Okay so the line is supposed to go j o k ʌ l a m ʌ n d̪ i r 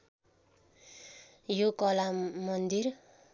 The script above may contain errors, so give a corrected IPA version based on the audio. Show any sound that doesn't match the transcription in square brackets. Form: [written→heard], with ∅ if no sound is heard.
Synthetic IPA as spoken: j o k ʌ l a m ʌ n d̪ i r